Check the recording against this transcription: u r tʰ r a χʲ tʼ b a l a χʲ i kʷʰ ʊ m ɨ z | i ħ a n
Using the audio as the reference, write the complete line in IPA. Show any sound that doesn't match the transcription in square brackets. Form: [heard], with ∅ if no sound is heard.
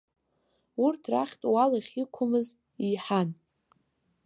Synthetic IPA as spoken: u r tʰ r a χʲ tʼ [w] a l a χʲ i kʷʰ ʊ m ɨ z | i ħ a n